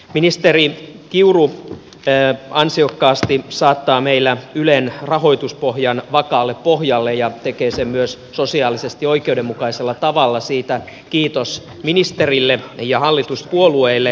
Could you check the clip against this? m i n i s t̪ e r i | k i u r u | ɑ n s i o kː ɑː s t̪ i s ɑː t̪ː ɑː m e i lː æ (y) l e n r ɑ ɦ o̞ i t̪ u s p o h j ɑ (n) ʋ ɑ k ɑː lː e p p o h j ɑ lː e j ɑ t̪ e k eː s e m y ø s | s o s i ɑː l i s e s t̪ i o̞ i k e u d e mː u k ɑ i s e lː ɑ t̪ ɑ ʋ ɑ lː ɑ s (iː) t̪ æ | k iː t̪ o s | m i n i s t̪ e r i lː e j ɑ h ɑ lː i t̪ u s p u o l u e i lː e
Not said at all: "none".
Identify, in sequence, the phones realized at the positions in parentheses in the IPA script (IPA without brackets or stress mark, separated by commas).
y, n, iː